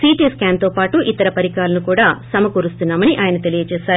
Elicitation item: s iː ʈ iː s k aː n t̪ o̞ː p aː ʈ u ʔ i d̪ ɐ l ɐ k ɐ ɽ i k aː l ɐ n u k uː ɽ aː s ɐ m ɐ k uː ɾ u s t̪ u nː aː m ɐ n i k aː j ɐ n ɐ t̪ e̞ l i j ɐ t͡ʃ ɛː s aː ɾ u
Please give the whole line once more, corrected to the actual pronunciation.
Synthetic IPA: s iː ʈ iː s k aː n t̪ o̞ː p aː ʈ u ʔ i t̪ ɐ ɾ ɐ p ɐ ɾ i k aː l ɐ n u k uː ɽ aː s ɐ m ɐ k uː ɾ u s t̪ u nː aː m ɐ n i ʔ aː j ɐ n ɐ t̪ e̞ l i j ɐ t͡ʃ ɛː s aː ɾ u

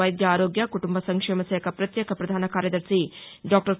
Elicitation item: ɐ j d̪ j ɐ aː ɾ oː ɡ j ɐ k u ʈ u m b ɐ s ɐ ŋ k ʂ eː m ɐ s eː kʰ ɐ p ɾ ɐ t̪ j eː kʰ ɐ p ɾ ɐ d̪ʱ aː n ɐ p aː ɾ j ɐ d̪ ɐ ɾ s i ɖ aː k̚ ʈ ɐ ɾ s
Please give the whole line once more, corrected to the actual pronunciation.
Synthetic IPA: ɐ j d̪ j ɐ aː ɾ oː ɡ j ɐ k u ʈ u m b ɐ s ɐ ŋ k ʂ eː m ɐ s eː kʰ ɐ p ɾ ɐ t̪ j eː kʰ ɐ p ɾ ɐ d̪ʱ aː n ɐ k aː ɾ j ɐ d̪ ɐ ɾ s i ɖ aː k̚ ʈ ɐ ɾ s

